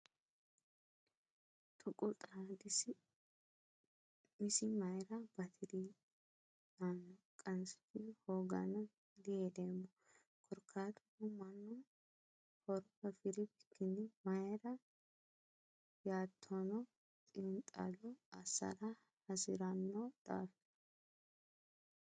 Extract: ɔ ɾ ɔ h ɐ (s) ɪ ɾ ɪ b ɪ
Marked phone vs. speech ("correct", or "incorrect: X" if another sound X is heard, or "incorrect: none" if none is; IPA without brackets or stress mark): incorrect: f